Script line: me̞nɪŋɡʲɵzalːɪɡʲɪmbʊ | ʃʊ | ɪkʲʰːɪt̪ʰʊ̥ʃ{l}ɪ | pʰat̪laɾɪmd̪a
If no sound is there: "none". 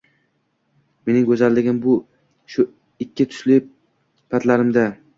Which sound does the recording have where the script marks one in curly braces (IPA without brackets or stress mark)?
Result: l